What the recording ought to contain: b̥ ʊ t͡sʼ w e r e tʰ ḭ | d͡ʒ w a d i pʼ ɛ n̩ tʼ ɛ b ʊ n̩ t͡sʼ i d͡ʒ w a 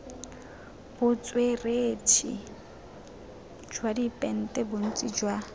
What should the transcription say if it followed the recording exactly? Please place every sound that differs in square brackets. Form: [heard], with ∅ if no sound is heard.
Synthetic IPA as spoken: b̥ ʊ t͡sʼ w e r e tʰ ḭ | d͡ʒ w a d i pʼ ɛ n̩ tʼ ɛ b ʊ n̩ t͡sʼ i d͡ʒ w a